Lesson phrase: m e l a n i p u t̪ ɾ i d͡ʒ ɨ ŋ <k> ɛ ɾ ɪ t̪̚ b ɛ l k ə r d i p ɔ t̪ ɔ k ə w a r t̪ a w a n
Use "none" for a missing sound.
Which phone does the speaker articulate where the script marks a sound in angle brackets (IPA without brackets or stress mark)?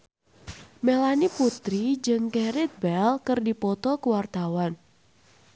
k